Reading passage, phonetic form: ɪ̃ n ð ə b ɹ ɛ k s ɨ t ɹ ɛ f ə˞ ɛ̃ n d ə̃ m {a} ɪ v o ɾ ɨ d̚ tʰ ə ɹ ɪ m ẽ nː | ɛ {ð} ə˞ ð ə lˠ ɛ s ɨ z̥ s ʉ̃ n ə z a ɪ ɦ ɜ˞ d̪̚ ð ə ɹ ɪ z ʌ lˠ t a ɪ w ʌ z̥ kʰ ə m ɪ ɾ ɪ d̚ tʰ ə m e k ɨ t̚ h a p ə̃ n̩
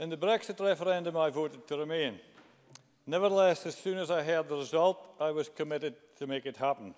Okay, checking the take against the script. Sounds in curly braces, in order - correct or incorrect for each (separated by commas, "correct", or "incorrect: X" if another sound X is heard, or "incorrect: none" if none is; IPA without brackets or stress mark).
correct, incorrect: v